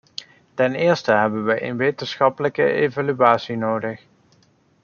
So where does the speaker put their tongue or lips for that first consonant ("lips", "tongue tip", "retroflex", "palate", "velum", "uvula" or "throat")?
tongue tip